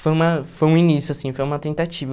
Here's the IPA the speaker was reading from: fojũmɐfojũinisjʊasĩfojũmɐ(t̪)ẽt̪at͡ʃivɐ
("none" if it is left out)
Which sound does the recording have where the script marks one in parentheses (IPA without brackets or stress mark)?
t̪